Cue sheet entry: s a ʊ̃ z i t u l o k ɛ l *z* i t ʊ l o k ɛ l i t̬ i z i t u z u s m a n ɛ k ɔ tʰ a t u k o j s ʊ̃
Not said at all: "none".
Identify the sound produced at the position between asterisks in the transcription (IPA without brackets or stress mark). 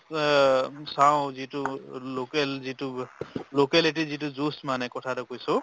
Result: z